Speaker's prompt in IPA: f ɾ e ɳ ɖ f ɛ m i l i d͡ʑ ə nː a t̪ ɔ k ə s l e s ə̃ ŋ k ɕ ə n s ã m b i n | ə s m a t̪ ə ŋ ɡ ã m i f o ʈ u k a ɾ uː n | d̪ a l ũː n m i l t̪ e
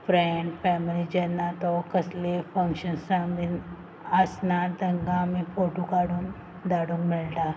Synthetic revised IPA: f ɾ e ɳ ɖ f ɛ m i l i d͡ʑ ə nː a t̪ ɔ k ə s l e f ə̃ ŋ k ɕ ə n s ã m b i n | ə s n a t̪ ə ŋ ɡ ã m i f o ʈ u k a ɽ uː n | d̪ a ɽ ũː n m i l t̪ a

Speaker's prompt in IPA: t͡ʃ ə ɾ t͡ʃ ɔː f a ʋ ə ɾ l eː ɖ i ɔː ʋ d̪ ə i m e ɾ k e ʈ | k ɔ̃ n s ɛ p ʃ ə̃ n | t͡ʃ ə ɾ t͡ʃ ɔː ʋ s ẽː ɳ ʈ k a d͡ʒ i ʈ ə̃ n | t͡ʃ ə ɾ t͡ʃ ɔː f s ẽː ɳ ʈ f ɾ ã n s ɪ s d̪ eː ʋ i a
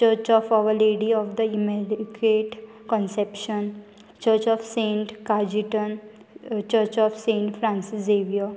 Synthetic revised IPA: t͡ʃ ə ɾ t͡ʃ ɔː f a ʋ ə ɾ l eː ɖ i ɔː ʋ d̪ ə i m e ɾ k e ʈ | k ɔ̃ n s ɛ p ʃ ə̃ n | t͡ʃ ə ɾ t͡ʃ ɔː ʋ s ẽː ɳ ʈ k a d͡ʒ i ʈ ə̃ n | t͡ʃ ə ɾ t͡ʃ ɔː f s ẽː ɳ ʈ f ɾ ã n s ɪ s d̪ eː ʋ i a

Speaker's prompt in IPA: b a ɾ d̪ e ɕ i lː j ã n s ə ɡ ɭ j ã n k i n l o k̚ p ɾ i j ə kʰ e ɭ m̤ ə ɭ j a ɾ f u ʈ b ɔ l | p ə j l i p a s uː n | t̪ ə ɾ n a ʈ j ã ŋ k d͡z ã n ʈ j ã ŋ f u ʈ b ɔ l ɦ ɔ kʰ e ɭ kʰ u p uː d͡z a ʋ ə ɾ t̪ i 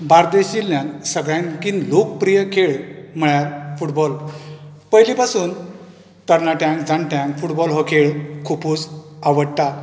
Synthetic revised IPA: b a ɾ d̪ e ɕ i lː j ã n s ə ɡ ɭ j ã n k i n l o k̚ p ɾ i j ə kʰ e ɭ m̤ ə ɭ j a ɾ f u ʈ b ɔ l | p ə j l i p a s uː n | t̪ ə ɾ n a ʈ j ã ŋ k d͡z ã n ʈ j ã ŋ f u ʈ b ɔ l ɦ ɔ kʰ e ɭ kʰ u p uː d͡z a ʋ ə ɽ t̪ a

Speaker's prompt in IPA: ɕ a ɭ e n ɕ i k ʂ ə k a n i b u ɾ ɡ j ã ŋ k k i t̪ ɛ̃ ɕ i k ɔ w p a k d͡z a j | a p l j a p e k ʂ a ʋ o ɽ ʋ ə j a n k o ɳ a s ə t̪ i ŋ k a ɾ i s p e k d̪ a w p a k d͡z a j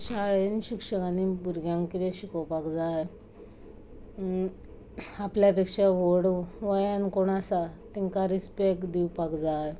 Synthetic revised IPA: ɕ a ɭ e n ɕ i k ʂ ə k a n i b u ɾ ɡ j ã ŋ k k i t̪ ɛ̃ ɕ i k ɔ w p a k d͡z a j | a p l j a p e k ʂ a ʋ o ɽ ʋ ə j a n k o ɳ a s a t̪ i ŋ k a ɾ i s p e k d̪ i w p a k d͡z a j

